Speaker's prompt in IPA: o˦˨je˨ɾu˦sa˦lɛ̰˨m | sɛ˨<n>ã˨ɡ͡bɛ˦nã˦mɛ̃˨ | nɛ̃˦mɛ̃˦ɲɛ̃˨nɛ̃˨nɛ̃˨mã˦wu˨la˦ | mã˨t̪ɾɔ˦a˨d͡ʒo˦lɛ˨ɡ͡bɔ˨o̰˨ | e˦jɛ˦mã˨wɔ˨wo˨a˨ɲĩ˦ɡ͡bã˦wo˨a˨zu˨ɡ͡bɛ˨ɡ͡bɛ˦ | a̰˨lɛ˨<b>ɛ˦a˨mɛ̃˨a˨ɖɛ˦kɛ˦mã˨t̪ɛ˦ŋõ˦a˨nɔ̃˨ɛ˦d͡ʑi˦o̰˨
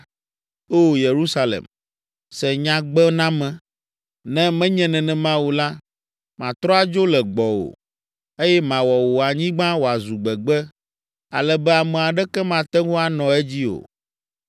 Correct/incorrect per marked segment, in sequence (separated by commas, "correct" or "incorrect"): incorrect, correct